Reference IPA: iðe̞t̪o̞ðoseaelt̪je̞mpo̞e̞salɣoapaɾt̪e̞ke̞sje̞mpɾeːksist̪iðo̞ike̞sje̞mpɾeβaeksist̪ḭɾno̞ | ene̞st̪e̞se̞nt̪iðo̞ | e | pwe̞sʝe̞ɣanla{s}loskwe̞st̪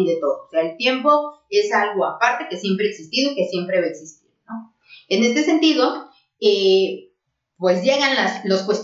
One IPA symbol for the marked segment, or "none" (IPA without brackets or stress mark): s